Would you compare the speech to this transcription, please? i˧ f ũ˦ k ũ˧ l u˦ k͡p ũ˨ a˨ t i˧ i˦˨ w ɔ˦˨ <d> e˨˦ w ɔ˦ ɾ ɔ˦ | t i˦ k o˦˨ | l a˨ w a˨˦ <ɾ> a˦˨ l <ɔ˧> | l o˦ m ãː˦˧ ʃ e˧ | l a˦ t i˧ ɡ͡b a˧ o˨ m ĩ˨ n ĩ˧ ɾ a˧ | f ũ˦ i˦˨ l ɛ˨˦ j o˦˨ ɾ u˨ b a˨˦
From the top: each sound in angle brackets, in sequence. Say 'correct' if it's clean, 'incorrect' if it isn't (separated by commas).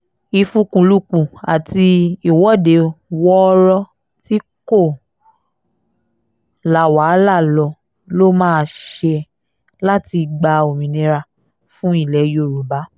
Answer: correct, incorrect, correct